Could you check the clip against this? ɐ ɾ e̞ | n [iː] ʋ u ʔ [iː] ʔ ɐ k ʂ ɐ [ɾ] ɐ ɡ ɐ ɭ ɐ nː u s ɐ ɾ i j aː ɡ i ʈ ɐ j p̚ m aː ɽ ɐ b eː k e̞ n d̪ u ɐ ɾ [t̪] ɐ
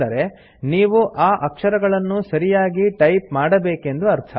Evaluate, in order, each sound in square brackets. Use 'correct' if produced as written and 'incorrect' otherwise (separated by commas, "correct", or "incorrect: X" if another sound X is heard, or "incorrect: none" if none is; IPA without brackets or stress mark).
correct, incorrect: aː, correct, incorrect: t̪ʰ